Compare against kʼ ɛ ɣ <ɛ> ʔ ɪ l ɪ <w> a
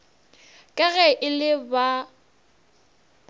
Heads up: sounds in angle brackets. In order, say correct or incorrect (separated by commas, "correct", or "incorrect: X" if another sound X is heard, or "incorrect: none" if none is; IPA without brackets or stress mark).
correct, incorrect: b